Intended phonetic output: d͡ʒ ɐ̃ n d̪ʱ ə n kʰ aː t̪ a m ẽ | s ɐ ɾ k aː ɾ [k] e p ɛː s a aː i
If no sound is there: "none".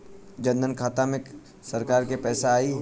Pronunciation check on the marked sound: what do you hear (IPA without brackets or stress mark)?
k